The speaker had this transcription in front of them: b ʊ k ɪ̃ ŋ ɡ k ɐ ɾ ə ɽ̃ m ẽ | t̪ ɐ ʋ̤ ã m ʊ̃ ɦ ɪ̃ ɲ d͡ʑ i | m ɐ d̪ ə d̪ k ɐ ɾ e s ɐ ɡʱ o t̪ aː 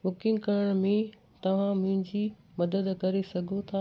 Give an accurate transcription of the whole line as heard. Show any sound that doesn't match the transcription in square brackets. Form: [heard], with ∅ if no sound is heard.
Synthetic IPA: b ʊ k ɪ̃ ŋ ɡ k ɐ ɾ ə ɽ̃ m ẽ | t̪ ɐ ʋ̤ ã m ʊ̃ ɦ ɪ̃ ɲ d͡ʑ i | m ɐ d̪ ə d̪ k ɐ ɾ e s ɐ ɡʱ o [t̪ʰ] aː

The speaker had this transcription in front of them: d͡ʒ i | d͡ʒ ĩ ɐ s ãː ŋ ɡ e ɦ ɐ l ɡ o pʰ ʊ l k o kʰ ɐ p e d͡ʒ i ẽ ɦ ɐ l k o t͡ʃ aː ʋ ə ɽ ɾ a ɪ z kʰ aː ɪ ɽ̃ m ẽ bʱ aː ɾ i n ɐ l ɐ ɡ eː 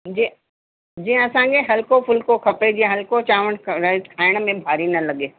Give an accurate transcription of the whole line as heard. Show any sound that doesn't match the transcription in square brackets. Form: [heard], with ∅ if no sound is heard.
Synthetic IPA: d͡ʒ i | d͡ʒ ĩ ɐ s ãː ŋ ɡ e ɦ ɐ l [k] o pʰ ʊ l k o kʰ ɐ p e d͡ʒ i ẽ ɦ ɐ l k o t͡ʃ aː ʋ ə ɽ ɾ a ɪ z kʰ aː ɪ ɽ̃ m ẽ bʱ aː ɾ i n ɐ l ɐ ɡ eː

